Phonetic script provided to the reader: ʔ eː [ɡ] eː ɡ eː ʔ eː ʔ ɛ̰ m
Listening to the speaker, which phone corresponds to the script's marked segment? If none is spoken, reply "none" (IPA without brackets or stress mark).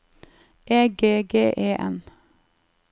ɡ